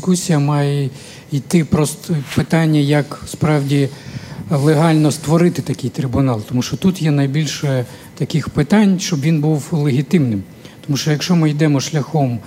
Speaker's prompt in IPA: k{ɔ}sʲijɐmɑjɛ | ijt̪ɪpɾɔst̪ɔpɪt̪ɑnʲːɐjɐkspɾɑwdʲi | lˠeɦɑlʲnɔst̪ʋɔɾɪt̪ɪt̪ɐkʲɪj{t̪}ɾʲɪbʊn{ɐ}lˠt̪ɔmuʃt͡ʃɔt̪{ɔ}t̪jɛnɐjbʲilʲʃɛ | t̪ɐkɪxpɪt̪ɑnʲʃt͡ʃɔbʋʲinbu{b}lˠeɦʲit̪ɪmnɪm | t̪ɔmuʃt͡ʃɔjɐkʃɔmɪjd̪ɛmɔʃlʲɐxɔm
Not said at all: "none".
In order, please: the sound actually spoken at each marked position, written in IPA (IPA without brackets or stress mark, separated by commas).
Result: u, t̪, ɑ, u, w